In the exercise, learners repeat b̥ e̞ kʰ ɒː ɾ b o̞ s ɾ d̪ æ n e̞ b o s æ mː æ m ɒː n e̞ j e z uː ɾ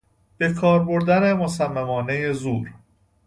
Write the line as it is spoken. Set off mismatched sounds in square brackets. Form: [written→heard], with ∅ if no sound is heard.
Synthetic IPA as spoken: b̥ e̞ kʰ ɒː ɾ b o̞ [s→∅] ɾ d̪ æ n e̞ [b→m] o s æ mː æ m ɒː n e̞ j e z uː ɾ